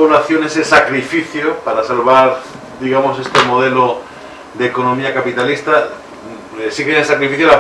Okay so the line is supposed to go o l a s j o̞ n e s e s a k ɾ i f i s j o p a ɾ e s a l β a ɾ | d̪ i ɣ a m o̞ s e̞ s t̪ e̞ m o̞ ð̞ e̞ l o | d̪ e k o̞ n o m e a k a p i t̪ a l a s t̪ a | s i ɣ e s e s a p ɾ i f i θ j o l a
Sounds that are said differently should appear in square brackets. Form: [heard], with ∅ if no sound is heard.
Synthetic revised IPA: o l a [θ] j o̞ n e s e s a k ɾ i f i [θ] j o p a ɾ [a] s a l β a ɾ | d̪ i ɣ a m o̞ s e̞ s t̪ e̞ m o̞ ð̞ e̞ l o | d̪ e k o̞ n o m [i] a k a p i t̪ a l [i] s t̪ a | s i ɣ e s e s a [k] ɾ i f i θ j o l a